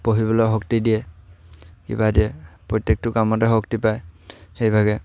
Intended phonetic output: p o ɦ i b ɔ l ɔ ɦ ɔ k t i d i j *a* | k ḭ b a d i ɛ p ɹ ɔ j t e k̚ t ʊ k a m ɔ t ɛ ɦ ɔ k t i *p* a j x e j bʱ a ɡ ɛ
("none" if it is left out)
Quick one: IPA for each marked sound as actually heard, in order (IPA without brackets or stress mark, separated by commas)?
ɛ, p